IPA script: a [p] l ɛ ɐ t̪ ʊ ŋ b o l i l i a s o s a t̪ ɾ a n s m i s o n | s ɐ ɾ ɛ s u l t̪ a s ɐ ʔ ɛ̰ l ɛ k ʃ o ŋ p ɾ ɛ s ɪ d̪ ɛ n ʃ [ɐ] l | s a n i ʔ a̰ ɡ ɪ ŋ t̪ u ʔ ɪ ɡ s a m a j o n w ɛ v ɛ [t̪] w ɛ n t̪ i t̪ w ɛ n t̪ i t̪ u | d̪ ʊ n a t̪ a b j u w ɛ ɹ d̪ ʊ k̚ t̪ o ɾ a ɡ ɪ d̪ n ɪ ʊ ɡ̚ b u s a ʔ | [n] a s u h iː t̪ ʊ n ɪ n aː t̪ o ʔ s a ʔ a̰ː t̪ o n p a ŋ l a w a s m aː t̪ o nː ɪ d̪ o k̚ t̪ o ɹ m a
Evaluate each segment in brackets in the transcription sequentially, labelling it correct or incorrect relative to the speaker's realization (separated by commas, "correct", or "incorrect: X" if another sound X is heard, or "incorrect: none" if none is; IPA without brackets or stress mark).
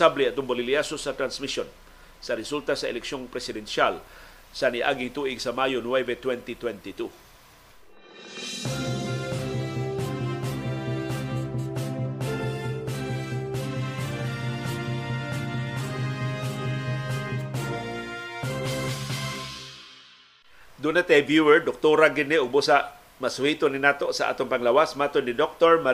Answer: incorrect: b, incorrect: a, correct, incorrect: m